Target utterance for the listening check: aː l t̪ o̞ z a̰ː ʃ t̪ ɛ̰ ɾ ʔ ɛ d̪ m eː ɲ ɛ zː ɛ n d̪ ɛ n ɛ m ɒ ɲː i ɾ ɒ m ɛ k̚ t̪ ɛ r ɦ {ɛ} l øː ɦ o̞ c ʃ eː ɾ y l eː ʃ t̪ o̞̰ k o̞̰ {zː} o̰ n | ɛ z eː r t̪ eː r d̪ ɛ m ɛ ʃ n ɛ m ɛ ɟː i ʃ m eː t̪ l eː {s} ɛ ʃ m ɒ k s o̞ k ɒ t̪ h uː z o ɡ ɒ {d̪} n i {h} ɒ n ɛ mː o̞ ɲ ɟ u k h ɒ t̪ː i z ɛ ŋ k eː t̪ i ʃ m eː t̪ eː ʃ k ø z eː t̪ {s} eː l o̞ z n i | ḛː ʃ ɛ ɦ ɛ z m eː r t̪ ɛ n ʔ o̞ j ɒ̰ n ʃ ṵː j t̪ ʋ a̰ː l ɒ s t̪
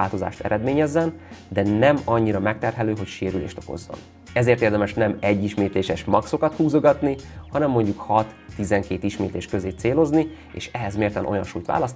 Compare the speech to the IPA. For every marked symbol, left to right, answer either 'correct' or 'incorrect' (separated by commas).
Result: correct, correct, incorrect, incorrect, correct, correct